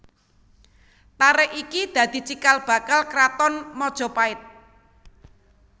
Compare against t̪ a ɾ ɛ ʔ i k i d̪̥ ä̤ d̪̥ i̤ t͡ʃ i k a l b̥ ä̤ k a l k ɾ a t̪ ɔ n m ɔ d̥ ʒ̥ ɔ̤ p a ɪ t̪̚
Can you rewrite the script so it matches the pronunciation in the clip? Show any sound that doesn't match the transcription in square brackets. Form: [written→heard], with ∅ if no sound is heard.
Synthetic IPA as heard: t̪ a ɾ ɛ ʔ i k i d̪̥ ä̤ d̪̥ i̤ t͡ʃ i k a l b̥ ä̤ k a l k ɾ a t̪ ɔ n m ɔ d̥ ʒ̥ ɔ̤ p a ɪ t̪̚

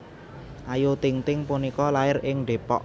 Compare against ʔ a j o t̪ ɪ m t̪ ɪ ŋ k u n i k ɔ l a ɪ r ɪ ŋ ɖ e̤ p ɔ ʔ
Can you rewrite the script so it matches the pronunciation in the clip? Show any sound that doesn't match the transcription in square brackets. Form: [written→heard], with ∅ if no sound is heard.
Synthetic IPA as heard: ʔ a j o t̪ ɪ [m→ŋ] t̪ ɪ ŋ [k→p] u n i k ɔ l a ɪ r ɪ ŋ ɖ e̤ p ɔ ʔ

